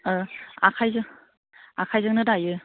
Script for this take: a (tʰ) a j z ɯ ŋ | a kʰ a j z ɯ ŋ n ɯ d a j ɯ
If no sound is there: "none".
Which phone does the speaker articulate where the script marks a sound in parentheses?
kʰ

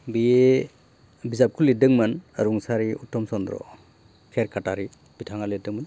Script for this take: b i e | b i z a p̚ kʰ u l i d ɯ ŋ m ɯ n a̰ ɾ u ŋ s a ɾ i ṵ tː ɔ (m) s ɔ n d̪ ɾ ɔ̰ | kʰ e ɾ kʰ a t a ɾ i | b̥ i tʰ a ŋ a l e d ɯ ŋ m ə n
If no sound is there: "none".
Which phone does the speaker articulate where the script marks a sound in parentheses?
m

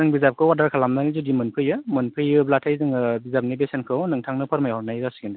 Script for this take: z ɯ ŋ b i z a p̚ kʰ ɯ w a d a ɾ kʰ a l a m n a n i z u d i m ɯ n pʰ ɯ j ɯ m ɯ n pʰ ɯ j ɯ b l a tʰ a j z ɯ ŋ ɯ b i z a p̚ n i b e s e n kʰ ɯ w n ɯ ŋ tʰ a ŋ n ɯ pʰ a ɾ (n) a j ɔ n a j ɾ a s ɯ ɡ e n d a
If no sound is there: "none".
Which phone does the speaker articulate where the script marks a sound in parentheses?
m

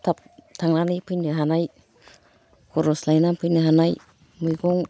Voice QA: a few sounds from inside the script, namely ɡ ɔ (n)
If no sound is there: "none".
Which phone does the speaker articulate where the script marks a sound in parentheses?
ŋ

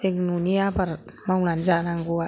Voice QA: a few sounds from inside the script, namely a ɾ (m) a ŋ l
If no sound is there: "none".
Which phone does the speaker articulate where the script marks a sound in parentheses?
m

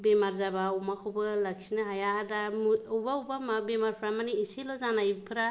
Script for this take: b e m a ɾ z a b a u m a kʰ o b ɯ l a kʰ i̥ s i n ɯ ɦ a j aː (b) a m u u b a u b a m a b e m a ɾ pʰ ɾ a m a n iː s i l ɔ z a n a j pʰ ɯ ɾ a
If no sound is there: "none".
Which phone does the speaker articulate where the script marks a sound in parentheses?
d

